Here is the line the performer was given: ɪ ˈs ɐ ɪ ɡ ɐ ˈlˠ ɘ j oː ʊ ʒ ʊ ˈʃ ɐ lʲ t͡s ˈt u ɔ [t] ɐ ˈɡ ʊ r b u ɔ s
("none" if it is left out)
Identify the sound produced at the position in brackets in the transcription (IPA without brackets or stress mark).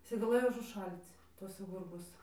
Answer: s